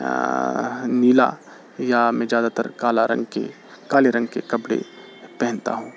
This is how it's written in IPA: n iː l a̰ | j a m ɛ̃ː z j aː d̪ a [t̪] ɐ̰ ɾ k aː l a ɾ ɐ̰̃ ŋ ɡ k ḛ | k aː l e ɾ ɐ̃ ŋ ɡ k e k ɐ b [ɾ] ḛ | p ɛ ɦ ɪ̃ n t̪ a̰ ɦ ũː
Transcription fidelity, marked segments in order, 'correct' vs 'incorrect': correct, incorrect

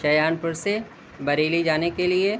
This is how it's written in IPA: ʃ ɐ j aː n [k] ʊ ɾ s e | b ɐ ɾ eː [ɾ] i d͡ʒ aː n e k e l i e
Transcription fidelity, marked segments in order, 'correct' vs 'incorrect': incorrect, incorrect

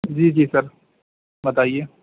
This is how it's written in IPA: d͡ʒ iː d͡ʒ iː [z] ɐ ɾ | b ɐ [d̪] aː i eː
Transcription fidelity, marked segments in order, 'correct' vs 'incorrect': incorrect, incorrect

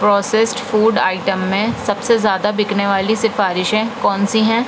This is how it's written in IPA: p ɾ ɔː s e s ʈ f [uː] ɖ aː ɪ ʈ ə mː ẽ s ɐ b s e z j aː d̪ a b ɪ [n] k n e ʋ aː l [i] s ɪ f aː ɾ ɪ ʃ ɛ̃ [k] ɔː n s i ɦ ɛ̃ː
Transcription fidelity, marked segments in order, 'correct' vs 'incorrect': correct, incorrect, correct, correct

